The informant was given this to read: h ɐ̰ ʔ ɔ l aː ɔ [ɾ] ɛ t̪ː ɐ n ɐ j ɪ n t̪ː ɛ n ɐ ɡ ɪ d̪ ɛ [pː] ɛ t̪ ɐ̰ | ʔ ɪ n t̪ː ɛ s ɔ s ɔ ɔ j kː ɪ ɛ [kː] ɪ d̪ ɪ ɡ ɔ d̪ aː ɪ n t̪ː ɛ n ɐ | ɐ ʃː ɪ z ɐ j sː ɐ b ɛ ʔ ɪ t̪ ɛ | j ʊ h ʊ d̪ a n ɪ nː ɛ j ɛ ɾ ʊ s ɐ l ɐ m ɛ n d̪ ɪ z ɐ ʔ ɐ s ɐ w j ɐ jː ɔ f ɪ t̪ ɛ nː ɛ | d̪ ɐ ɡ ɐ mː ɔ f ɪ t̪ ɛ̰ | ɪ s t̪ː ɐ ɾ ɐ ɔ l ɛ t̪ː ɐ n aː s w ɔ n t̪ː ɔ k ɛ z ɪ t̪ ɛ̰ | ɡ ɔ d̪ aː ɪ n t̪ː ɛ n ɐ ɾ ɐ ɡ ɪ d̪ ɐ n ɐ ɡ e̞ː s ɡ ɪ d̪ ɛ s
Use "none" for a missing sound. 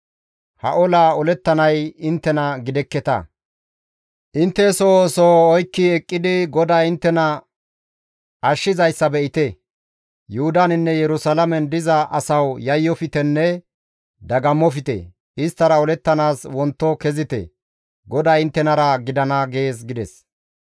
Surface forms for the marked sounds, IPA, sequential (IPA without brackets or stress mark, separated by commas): l, kː, kʼː